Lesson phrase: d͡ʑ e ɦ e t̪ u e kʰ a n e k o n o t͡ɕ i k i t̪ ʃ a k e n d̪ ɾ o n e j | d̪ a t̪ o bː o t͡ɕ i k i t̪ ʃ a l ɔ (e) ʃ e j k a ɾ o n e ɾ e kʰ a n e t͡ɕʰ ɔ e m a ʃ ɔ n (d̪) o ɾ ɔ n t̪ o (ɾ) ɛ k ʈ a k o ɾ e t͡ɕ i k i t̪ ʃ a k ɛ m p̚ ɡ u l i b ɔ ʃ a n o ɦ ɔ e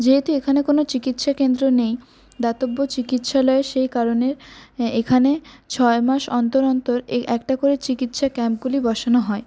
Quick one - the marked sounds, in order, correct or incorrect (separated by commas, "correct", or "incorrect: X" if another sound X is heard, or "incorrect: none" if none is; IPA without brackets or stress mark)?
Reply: correct, incorrect: t̪, correct